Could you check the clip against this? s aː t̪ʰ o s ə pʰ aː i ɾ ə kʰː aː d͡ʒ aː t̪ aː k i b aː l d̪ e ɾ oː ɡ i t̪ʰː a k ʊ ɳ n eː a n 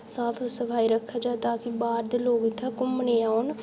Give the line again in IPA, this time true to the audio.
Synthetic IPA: s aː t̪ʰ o s ə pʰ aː i ɾ ə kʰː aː d͡ʒ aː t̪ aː k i b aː ɾ d̪ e l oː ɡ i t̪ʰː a k ʊ m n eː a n